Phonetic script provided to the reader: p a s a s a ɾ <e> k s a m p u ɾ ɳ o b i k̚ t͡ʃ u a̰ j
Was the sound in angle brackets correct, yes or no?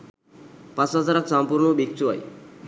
no